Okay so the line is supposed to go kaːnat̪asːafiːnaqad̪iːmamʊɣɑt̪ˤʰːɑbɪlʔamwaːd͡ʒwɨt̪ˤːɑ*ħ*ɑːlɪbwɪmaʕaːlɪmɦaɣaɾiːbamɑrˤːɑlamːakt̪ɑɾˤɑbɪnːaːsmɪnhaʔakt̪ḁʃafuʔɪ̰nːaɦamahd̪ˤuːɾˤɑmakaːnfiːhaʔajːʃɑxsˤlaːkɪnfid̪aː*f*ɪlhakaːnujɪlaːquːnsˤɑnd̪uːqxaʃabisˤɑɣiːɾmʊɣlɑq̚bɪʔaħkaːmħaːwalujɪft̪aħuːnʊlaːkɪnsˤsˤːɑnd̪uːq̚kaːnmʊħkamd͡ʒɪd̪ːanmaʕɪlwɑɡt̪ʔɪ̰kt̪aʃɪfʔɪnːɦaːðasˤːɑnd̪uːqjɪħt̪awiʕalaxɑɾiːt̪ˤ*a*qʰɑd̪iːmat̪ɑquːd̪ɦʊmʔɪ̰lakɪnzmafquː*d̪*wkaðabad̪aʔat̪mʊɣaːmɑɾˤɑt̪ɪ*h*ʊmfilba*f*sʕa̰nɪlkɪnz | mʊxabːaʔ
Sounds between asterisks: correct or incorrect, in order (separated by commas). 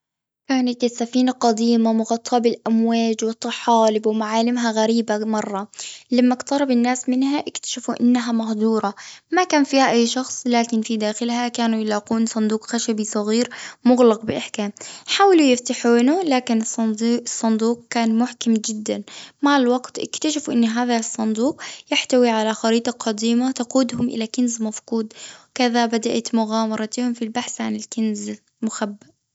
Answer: correct, incorrect, incorrect, correct, correct, incorrect